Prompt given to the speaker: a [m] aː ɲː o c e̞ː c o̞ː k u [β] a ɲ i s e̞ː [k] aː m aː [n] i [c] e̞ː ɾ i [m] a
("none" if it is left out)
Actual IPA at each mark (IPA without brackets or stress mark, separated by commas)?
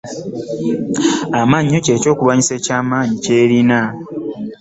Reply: m, β, c, ɲ, c, n